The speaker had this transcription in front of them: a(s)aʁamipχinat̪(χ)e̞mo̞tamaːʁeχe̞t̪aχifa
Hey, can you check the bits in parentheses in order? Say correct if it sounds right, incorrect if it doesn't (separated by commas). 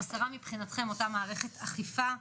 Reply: correct, correct